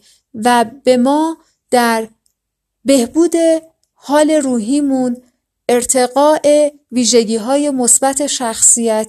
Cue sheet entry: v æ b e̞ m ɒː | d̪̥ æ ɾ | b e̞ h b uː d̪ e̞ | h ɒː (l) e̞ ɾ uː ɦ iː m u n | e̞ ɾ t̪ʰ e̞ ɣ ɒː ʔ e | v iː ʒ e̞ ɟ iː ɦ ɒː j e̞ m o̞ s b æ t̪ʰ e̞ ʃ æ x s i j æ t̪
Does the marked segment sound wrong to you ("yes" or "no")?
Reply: no